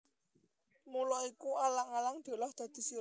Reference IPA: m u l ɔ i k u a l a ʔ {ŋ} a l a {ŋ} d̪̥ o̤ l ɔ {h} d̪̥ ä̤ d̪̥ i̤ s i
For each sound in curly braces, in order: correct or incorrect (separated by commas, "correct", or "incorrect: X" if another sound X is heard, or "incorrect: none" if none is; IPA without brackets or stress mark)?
correct, correct, correct